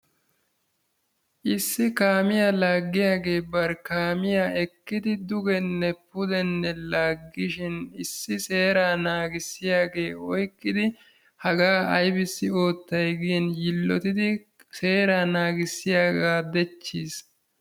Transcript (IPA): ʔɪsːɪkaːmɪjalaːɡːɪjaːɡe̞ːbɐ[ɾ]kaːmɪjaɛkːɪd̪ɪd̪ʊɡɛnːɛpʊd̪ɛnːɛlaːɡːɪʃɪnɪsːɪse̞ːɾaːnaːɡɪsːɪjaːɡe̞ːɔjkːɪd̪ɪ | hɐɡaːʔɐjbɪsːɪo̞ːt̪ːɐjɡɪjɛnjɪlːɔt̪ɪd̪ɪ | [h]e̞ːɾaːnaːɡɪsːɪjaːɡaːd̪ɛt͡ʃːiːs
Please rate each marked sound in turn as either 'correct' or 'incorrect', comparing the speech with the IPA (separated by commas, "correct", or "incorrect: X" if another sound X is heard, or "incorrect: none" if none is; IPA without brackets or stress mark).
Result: correct, incorrect: s